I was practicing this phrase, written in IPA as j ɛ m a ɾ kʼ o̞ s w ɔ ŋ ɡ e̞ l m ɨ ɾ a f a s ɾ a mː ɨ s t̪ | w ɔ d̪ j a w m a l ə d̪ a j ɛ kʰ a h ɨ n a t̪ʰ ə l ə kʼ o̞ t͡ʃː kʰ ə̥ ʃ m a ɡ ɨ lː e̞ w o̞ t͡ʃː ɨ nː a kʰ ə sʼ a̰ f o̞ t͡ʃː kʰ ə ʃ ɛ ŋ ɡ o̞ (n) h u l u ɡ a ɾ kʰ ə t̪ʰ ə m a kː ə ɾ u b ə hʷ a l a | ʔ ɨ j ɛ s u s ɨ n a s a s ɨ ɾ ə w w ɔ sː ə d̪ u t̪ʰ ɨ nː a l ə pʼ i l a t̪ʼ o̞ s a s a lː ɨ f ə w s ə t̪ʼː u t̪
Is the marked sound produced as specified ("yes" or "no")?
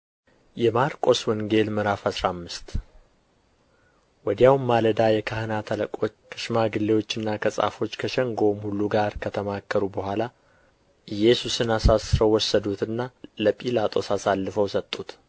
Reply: no